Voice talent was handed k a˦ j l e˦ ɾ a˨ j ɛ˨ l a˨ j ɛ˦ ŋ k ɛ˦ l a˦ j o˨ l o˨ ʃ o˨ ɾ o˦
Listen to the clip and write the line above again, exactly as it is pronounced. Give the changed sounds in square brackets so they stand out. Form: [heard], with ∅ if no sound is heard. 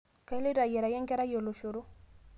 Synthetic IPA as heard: k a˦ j l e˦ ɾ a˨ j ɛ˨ [ɾ] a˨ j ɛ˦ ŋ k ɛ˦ [ɾ] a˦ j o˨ l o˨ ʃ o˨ ɾ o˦